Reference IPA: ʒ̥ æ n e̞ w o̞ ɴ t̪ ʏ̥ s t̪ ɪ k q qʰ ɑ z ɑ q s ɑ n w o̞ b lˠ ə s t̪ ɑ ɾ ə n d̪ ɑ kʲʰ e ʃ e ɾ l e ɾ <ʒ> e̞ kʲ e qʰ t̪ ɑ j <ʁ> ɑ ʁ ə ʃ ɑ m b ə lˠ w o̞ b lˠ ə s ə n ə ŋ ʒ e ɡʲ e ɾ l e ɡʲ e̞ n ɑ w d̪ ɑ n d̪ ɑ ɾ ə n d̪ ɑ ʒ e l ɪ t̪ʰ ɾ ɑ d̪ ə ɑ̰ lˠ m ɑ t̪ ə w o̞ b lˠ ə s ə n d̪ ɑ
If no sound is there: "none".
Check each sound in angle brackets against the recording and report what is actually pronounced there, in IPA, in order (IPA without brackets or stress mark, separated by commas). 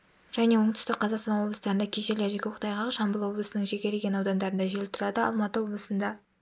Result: ʒ, ʁ